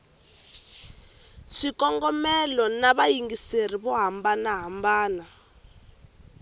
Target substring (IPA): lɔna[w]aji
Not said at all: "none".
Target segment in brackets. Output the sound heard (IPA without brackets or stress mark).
β